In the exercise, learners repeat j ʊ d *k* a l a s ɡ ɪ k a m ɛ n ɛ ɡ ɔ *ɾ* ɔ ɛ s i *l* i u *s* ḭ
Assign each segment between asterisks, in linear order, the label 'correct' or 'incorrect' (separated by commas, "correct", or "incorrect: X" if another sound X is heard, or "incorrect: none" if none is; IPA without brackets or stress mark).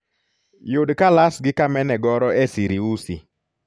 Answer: correct, correct, incorrect: ɾ, correct